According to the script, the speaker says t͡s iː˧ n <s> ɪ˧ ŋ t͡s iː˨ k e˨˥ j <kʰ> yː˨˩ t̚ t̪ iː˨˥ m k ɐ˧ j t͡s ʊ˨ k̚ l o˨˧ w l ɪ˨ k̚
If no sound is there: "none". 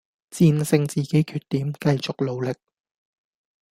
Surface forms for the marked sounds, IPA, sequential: s, kʰ

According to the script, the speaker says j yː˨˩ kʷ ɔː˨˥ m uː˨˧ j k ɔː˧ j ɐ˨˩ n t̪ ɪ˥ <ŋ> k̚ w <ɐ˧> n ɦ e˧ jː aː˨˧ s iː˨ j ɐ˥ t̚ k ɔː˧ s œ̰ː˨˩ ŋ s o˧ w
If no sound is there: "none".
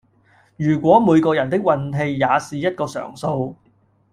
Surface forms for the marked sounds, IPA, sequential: none, ɐ˧

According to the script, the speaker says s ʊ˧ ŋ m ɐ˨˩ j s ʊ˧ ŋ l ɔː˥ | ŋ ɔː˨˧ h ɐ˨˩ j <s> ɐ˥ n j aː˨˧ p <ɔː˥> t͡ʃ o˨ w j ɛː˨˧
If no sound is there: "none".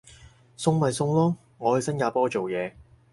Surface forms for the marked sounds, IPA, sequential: s, ɔː˥

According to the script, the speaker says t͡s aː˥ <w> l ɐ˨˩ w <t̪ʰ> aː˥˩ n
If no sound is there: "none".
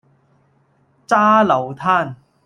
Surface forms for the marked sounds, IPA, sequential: none, t̪ʰ

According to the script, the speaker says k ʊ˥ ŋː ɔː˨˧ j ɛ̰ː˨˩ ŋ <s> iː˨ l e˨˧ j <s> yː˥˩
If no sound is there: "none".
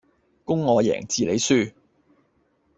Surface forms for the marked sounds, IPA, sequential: t͡s, s

